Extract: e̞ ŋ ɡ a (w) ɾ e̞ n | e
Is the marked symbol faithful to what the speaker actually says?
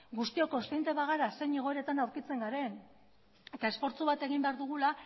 no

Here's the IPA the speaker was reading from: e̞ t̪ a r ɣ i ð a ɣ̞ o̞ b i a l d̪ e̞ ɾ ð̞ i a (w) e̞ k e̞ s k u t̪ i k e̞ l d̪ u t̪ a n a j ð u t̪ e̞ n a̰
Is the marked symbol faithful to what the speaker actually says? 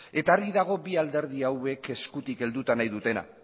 yes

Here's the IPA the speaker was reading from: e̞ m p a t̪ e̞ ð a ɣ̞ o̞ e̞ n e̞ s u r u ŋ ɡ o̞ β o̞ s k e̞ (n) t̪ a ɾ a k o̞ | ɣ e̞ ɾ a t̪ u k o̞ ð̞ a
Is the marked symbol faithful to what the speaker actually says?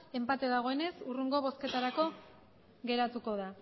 no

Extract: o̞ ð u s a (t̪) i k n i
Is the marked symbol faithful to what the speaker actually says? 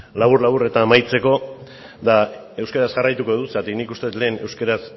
yes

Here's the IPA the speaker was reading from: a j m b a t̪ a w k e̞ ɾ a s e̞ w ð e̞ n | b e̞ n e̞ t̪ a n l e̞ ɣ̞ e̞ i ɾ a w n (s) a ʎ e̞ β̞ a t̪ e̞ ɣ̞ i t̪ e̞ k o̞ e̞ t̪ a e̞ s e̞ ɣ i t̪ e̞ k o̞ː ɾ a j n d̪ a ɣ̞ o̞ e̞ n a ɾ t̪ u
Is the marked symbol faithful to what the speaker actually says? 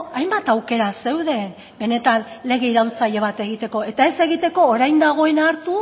no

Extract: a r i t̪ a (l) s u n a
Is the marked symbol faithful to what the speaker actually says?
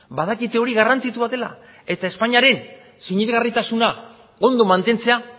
no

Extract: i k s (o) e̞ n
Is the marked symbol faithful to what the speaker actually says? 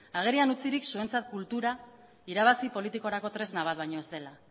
no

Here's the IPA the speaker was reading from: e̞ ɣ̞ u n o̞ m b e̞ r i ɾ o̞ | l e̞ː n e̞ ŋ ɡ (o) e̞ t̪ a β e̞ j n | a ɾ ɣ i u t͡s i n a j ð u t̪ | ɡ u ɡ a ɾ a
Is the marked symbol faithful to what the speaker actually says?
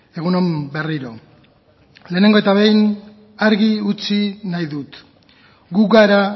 yes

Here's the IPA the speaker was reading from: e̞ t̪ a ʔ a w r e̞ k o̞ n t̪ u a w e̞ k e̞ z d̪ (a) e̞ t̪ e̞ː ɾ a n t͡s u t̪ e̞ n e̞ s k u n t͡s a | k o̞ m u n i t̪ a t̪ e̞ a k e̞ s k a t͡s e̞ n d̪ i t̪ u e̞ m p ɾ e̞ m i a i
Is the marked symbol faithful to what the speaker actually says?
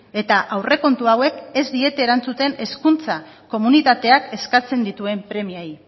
no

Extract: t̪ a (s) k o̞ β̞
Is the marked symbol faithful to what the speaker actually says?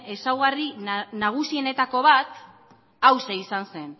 no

